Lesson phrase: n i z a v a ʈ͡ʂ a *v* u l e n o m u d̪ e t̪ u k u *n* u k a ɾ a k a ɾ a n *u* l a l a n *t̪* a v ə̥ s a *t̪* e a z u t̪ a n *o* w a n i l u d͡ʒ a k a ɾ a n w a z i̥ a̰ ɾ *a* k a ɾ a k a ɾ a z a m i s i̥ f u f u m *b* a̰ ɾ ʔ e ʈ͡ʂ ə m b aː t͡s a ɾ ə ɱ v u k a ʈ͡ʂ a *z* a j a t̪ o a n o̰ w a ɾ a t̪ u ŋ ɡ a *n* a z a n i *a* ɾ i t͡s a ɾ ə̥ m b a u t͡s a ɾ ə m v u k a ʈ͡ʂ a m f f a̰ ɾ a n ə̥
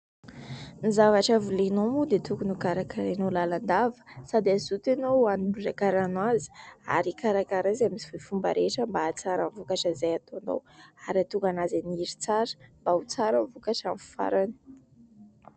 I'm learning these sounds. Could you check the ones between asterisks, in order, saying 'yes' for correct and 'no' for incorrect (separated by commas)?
yes, yes, no, no, no, yes, no, yes, yes, yes, no